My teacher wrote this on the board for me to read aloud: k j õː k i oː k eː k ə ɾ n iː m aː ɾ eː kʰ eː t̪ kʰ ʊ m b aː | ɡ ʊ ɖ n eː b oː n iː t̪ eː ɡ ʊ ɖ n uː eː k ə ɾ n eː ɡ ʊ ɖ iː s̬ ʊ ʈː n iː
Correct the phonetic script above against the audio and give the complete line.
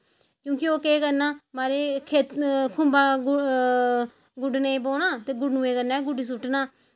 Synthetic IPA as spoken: k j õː k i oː k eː k ə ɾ n aː m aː ɾ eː kʰ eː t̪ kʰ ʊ m b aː | ɡ ʊ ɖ n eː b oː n aː t̪ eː ɡ ʊ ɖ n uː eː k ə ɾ n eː ɡ ʊ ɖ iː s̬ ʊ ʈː n aː